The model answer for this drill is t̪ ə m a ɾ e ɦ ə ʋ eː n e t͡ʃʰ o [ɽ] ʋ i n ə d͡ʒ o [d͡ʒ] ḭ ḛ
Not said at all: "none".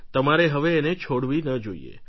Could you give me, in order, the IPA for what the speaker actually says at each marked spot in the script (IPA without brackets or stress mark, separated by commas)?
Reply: ɽ, none